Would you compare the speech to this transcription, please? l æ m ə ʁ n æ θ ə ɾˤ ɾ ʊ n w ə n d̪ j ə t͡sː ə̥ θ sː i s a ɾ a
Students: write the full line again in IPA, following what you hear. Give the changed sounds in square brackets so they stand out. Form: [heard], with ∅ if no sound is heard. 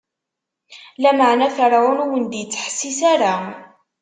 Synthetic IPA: l æ m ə [ʕ] n æ θ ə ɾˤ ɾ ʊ n w ə n d̪ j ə t͡sː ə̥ [ħ] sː i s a ɾ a